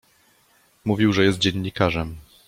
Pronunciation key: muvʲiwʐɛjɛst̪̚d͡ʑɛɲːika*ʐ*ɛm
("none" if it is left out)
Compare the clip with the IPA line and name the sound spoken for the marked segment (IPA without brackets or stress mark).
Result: ʐ